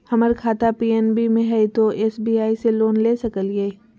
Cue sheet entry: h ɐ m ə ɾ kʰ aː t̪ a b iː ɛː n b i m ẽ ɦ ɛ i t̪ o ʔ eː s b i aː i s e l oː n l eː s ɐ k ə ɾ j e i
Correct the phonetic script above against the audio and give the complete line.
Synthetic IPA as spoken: h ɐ m ə ɾ kʰ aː t̪ a p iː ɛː n b i m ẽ ɦ ɛ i t̪ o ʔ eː s b i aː i s e l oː n l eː s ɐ k ə l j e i